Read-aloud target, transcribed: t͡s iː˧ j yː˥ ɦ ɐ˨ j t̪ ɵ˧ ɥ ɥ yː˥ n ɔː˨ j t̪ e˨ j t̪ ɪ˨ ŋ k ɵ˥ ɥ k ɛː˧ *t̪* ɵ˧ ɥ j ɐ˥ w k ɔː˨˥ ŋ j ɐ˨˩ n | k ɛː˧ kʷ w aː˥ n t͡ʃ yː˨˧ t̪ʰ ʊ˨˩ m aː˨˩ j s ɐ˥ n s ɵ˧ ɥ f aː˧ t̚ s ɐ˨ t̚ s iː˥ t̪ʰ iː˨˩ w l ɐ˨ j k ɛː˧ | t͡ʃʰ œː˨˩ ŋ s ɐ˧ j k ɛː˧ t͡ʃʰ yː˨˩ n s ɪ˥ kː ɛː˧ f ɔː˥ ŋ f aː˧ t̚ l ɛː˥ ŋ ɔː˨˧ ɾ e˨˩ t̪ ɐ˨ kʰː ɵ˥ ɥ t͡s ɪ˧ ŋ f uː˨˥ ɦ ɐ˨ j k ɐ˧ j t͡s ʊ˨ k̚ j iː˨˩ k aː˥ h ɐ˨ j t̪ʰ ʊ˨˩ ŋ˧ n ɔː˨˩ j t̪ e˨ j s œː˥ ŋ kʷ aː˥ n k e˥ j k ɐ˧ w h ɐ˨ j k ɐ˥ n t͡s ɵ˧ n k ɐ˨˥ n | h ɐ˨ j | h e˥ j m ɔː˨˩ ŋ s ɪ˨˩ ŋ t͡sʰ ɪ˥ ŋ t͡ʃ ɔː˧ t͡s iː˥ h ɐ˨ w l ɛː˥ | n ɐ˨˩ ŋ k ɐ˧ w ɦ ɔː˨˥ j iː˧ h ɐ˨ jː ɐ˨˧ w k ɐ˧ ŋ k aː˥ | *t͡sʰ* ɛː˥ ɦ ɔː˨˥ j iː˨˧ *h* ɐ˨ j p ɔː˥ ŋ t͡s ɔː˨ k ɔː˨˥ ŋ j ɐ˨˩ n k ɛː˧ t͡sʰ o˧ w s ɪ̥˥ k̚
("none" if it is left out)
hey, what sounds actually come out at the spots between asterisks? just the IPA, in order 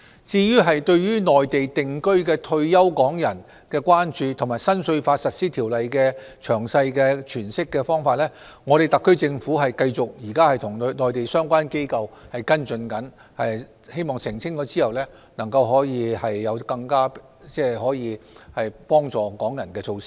t̪ʰ, t͡s, h

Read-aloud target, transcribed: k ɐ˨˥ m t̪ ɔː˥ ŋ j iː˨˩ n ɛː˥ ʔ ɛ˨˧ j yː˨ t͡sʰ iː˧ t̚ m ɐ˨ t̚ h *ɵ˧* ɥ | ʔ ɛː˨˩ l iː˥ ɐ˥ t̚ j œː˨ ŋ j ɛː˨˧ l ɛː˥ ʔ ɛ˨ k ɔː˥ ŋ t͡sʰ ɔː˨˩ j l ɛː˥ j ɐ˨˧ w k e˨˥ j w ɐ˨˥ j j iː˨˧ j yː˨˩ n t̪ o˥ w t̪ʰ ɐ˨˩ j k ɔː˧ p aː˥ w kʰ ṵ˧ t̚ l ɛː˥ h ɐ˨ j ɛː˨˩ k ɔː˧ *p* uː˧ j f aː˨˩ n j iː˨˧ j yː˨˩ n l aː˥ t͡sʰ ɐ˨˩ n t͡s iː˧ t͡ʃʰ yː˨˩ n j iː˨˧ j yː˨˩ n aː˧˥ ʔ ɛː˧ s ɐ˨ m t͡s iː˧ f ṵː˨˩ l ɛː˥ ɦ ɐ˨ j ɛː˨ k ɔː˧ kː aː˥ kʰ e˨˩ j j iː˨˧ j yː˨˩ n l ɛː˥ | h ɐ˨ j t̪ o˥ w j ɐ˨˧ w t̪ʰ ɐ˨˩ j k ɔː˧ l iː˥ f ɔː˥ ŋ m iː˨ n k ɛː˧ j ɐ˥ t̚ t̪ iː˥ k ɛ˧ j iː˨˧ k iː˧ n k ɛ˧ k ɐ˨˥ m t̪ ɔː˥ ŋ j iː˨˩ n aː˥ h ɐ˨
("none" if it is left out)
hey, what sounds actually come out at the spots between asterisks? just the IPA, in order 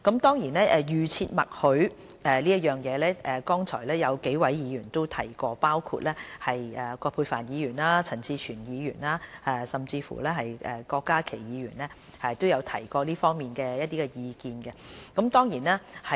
ɵ˨˥, pʰ

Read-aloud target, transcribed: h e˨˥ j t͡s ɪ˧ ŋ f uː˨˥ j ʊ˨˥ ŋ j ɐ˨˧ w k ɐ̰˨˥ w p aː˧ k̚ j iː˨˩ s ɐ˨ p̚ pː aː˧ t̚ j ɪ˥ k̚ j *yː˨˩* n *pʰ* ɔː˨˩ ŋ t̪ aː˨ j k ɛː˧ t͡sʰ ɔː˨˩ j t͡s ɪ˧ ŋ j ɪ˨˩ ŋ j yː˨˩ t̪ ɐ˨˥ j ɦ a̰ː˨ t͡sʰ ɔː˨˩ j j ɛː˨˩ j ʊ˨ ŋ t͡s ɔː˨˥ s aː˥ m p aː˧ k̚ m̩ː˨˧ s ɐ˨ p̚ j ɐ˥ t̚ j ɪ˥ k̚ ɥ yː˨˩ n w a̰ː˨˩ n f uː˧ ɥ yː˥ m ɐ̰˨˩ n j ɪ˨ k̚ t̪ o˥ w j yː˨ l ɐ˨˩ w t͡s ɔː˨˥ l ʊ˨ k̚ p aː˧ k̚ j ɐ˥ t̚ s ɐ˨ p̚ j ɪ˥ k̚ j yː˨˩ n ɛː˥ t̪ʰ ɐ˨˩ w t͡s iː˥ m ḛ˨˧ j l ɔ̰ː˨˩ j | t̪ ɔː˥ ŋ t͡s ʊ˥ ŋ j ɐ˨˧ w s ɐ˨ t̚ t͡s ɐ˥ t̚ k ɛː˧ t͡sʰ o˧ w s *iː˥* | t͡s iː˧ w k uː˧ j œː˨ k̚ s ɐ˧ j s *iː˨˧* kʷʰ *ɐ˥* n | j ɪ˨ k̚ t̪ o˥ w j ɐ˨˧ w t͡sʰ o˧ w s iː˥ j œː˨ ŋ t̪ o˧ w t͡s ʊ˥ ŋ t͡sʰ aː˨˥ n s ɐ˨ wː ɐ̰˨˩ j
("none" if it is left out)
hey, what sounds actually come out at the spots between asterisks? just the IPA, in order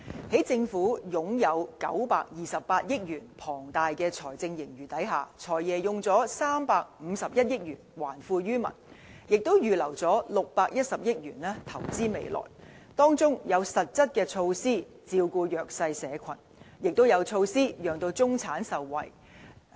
yː˨˩, pʰ, iː˥, ɛː˨˧, ɐ˨˩

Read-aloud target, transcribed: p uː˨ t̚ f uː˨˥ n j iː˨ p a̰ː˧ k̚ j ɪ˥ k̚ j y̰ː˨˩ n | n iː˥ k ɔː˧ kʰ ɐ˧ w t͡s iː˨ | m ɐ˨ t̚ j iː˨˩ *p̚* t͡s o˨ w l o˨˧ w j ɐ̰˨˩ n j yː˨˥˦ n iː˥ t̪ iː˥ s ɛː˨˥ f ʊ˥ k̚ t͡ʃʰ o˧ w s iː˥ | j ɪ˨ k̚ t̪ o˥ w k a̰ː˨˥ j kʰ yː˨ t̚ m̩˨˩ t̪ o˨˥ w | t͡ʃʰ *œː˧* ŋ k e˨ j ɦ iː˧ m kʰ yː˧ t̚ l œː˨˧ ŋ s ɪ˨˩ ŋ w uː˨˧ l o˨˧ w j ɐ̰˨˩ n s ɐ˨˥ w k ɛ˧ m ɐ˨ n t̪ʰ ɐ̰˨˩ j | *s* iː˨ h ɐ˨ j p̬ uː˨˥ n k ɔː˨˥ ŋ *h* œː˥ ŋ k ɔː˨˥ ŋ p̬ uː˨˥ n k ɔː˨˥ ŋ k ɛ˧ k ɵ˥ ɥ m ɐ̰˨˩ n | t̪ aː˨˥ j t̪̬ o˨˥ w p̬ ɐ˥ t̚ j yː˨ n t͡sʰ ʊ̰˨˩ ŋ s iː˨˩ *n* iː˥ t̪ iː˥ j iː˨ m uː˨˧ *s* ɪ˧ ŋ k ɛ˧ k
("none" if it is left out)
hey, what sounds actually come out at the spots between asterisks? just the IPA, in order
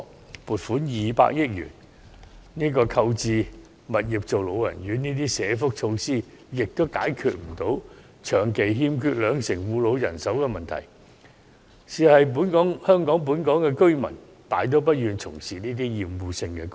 p̚, œː˨˩, s, h, n, s

